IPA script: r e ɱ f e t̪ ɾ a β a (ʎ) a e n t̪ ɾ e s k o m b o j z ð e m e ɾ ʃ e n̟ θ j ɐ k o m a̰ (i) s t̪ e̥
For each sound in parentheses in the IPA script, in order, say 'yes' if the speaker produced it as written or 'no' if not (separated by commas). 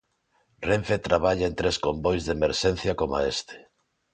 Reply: yes, no